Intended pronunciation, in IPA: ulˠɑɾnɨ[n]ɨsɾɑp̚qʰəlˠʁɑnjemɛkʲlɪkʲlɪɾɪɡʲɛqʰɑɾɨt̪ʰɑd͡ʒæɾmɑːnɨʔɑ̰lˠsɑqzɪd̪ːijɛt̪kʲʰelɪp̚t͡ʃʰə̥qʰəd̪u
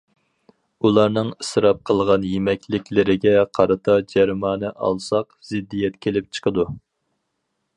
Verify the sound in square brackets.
incorrect: ŋ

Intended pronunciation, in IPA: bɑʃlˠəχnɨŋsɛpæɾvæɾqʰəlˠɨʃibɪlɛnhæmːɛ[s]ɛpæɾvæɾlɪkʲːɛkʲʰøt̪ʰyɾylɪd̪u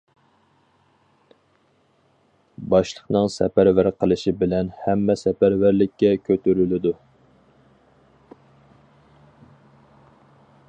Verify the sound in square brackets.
correct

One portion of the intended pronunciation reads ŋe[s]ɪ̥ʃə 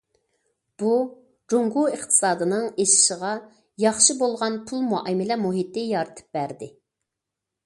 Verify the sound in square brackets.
incorrect: ʃ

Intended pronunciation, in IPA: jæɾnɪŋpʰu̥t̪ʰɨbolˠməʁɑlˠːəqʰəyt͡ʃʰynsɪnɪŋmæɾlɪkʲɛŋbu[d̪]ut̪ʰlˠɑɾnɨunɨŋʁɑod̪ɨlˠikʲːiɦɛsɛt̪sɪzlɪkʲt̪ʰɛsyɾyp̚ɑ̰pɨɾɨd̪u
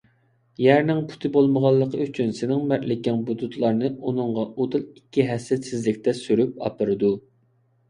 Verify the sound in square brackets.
correct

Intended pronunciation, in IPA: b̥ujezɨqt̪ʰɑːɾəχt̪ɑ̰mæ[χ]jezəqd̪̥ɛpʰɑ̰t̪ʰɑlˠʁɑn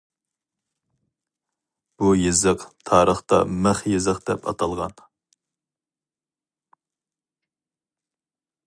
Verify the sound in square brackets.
correct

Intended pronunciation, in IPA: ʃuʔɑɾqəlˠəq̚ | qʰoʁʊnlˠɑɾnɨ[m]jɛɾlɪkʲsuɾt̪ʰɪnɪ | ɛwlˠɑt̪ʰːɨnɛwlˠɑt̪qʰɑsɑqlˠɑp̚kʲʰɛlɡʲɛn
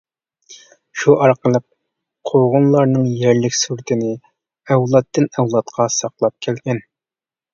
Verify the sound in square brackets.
incorrect: ŋ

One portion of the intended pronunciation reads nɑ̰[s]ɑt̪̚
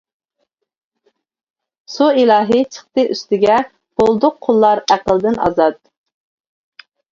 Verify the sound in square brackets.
incorrect: z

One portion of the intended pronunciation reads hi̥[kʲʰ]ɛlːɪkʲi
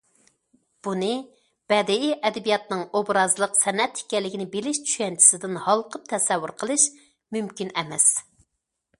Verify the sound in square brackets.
incorrect: kʲ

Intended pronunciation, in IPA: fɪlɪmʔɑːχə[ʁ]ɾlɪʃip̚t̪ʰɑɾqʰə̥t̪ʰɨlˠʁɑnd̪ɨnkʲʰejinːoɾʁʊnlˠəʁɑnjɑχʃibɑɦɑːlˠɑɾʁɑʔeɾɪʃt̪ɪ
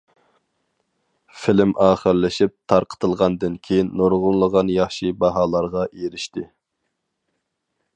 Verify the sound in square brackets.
incorrect: none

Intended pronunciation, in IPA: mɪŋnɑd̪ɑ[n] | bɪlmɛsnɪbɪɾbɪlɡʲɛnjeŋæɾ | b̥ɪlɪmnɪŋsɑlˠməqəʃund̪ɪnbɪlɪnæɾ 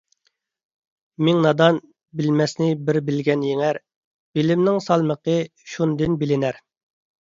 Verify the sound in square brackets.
correct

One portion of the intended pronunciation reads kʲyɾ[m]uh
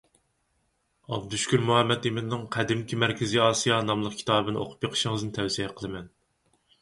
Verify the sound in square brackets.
correct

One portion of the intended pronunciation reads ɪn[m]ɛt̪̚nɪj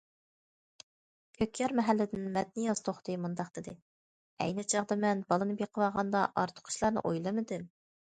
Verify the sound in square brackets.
correct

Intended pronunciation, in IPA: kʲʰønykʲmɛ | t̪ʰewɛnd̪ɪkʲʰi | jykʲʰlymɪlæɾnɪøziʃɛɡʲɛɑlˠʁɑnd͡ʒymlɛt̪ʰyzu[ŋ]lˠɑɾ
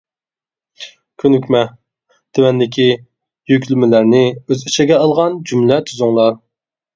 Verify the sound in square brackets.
correct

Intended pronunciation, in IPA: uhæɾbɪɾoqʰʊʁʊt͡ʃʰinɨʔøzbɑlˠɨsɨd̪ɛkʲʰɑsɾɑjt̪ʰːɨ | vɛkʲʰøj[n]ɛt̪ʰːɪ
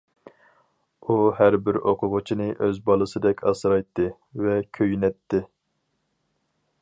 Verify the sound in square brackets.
correct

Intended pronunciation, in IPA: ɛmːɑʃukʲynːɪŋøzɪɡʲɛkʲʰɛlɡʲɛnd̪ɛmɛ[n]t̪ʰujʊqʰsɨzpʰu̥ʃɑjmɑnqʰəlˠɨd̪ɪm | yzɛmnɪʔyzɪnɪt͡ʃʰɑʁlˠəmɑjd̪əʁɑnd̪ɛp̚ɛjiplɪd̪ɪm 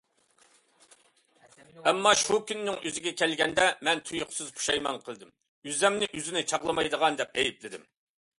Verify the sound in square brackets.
correct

